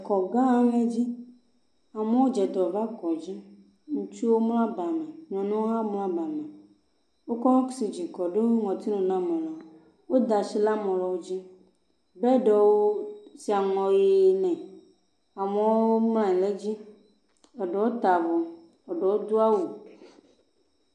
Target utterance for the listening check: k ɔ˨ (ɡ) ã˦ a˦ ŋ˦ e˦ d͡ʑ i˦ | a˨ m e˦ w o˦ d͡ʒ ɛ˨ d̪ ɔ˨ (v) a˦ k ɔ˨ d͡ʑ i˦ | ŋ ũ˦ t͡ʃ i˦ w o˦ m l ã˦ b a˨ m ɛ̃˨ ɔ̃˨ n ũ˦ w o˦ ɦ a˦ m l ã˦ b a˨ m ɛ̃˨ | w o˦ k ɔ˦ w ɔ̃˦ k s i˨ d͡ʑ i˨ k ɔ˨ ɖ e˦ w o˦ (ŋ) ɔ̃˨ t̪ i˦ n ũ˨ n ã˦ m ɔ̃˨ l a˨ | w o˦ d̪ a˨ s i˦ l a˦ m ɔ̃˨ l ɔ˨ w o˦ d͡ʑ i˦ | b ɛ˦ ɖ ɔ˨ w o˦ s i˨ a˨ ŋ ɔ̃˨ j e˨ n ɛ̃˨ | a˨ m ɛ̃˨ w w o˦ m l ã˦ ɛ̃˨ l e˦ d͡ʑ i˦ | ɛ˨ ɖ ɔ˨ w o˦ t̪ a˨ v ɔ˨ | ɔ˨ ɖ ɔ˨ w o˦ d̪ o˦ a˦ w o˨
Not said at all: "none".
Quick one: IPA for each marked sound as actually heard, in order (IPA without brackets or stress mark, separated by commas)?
ɡ, v, ŋ